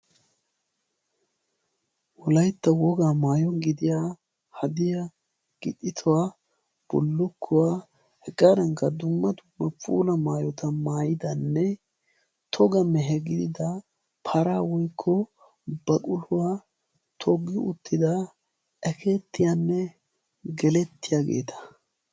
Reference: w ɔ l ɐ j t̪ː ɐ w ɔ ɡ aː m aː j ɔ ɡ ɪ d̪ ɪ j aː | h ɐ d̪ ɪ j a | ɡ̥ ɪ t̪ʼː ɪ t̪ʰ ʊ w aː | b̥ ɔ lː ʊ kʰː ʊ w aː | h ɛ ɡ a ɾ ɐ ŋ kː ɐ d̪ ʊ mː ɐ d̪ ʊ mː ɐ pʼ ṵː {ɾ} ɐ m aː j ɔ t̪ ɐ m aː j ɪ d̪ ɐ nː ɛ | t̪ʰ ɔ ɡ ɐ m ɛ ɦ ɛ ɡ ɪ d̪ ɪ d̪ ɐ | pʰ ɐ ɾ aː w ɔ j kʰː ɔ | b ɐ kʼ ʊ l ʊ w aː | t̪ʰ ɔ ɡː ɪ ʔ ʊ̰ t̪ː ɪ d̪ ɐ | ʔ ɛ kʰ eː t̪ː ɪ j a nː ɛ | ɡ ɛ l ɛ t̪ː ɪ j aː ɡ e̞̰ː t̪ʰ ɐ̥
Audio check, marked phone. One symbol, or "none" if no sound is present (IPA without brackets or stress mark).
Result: l